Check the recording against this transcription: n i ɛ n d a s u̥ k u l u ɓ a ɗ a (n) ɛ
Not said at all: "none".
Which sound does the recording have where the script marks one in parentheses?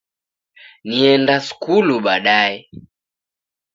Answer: none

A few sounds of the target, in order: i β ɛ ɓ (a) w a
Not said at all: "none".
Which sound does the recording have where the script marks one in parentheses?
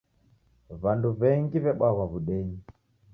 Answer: a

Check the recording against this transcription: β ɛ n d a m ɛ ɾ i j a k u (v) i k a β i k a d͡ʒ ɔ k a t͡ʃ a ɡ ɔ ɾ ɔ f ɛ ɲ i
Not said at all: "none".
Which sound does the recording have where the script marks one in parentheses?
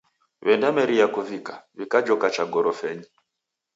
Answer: v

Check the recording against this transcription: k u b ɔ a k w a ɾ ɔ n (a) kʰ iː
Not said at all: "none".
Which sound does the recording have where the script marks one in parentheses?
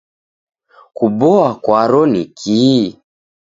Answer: i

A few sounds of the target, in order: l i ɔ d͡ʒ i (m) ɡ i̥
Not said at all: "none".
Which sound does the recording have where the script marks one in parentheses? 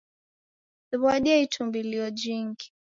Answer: ŋ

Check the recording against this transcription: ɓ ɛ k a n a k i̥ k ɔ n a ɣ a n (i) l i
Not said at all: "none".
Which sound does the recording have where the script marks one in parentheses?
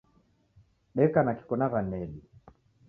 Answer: ɛ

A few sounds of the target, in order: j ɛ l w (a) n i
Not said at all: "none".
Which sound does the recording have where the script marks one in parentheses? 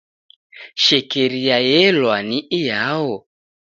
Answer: a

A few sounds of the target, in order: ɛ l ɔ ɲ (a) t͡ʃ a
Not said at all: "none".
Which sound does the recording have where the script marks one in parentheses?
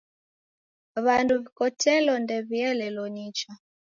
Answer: i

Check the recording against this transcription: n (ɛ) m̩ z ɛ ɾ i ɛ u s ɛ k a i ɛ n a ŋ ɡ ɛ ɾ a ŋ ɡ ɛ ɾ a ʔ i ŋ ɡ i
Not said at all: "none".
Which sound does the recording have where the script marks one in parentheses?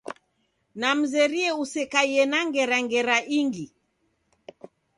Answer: a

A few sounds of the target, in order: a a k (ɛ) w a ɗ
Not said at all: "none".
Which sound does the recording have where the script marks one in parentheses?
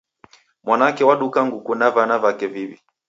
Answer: ɛ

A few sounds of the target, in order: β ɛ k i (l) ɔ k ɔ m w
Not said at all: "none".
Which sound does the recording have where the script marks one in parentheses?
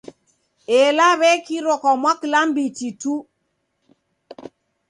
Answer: ɾ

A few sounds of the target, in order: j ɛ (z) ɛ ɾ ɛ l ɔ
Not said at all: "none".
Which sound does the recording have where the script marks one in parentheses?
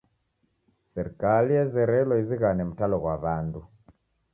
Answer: z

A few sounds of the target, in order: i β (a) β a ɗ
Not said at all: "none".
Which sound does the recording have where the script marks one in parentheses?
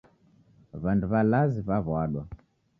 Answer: a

